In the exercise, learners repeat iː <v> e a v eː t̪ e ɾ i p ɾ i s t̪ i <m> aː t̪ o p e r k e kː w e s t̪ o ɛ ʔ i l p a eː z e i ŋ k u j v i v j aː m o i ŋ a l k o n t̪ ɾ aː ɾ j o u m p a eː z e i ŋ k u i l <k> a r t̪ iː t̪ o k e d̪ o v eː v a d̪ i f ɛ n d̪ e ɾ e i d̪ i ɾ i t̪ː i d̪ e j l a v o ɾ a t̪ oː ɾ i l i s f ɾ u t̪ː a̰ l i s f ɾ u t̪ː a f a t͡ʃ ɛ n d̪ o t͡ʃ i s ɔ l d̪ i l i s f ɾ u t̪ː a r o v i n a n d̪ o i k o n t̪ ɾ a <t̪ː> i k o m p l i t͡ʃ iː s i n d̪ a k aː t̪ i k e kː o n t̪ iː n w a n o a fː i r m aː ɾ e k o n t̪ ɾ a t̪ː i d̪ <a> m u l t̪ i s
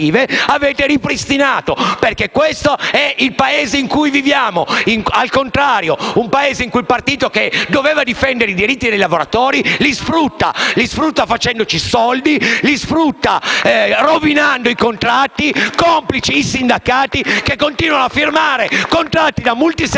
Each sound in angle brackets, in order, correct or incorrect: correct, incorrect: n, incorrect: p, correct, correct

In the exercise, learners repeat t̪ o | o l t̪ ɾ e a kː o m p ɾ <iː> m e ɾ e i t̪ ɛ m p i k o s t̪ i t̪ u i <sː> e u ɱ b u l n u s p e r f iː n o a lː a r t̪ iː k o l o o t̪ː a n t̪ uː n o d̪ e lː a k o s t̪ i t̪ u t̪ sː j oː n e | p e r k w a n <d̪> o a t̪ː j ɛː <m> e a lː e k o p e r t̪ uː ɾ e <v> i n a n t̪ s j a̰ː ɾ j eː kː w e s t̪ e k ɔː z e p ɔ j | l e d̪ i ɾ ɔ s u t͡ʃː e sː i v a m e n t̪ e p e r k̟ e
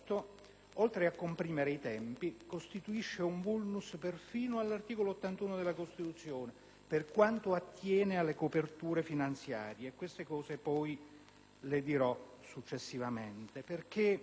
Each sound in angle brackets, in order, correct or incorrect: correct, incorrect: ʃː, incorrect: t̪, incorrect: n, incorrect: f

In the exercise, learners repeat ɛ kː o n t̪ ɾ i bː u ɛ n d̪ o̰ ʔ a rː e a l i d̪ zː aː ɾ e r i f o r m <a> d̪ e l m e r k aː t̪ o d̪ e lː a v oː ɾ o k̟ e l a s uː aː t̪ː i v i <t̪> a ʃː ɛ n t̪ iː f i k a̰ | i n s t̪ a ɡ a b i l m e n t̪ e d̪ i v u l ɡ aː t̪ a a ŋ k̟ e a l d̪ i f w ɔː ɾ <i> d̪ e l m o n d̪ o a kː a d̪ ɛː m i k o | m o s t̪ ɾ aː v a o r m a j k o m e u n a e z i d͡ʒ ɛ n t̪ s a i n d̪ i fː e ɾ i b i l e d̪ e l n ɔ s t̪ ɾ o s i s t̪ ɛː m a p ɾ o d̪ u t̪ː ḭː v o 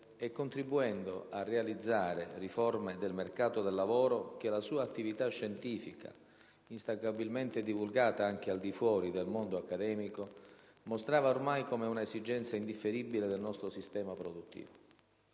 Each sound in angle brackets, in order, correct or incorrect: incorrect: e, correct, correct

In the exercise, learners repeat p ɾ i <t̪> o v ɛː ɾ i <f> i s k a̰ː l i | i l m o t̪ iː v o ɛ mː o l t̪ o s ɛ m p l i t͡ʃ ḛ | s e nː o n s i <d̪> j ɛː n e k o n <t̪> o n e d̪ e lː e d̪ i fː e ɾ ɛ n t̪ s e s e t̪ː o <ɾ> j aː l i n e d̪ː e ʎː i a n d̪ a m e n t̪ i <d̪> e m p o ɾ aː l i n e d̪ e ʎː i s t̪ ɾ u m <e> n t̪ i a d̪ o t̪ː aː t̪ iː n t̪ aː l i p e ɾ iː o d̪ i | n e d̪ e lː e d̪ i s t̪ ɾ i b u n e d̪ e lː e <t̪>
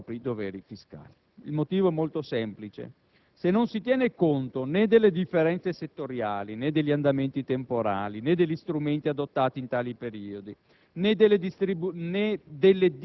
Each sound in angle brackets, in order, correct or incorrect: incorrect: d̪, correct, incorrect: t̪, correct, correct, incorrect: t̪, correct, incorrect: d̪

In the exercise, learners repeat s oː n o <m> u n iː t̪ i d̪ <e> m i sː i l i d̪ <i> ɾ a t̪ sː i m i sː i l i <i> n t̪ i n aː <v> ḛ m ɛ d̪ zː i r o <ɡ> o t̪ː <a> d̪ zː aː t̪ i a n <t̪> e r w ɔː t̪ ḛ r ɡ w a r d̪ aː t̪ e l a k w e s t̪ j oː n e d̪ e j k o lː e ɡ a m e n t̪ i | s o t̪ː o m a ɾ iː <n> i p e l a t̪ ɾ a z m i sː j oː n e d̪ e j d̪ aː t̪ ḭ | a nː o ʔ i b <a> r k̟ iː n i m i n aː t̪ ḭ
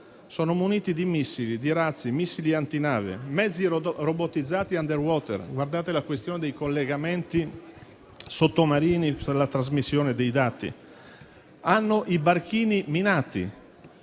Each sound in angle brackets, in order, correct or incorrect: correct, incorrect: i, correct, incorrect: a, correct, incorrect: b, incorrect: i, incorrect: d̪, correct, correct

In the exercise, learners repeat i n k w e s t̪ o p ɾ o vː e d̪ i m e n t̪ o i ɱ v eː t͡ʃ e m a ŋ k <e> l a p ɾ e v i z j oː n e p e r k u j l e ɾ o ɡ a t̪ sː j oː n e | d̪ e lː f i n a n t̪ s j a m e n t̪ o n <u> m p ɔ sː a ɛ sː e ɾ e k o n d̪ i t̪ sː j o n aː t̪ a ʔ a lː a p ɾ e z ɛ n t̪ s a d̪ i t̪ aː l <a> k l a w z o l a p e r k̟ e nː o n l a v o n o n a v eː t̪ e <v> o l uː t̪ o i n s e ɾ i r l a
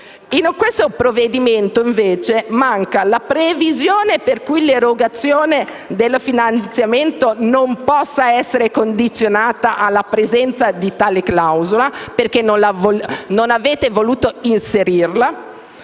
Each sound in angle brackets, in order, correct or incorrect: incorrect: a, incorrect: o, incorrect: e, correct

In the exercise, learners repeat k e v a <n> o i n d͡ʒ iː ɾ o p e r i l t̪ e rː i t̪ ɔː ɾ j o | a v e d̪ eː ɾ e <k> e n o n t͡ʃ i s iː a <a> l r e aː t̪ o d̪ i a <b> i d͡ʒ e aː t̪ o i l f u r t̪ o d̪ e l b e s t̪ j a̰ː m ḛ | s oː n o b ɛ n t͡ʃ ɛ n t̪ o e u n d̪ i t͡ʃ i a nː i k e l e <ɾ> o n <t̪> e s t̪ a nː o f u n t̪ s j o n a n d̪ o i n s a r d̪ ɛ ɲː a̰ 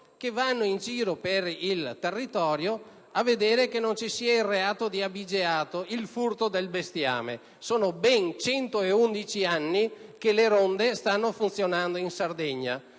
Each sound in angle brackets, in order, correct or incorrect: incorrect: nː, correct, incorrect: i, correct, correct, incorrect: d̪

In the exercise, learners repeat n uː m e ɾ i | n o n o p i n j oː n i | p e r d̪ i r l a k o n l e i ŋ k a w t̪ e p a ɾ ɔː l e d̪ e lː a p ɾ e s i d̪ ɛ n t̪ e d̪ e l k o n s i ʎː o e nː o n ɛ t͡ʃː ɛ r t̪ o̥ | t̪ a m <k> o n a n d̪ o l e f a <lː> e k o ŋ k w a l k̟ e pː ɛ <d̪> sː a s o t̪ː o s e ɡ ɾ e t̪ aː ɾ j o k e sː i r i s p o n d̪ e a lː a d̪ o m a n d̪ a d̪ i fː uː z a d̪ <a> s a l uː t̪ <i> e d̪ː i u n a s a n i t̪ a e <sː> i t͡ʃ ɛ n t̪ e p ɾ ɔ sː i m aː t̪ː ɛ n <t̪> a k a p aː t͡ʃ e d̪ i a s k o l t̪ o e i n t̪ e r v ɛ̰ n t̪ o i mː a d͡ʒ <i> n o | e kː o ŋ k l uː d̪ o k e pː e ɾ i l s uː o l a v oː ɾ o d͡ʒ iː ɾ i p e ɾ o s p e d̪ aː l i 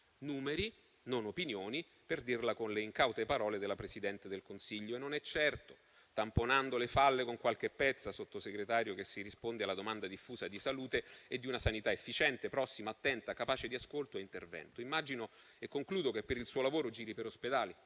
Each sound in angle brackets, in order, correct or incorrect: incorrect: p, correct, incorrect: t̪, incorrect: i, incorrect: e, incorrect: fː, correct, correct

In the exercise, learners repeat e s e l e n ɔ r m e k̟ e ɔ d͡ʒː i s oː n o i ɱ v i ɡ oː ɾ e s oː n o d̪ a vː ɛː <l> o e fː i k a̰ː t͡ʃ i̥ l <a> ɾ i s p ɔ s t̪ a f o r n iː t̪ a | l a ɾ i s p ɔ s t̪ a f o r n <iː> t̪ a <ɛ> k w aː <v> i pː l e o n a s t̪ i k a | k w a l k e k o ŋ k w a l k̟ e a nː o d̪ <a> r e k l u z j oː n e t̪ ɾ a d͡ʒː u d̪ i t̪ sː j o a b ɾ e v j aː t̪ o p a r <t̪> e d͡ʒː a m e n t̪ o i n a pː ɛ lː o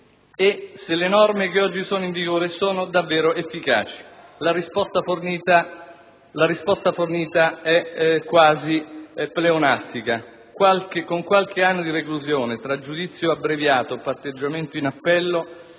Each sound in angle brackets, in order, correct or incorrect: incorrect: ɾ, correct, correct, correct, incorrect: z, incorrect: i, correct

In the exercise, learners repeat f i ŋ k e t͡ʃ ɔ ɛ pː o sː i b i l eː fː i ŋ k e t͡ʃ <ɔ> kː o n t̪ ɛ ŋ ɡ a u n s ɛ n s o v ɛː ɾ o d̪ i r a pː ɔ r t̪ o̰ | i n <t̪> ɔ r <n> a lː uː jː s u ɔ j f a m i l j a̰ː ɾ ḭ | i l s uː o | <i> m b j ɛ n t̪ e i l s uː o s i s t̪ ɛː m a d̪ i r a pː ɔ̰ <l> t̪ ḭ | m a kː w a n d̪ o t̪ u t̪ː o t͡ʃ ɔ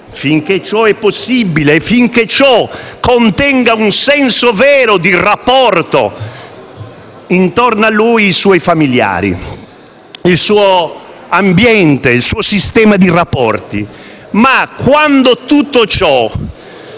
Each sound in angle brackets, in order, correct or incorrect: correct, correct, correct, incorrect: a, incorrect: r

